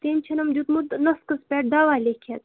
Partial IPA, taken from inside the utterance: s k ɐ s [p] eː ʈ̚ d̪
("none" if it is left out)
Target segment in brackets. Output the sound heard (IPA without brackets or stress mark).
p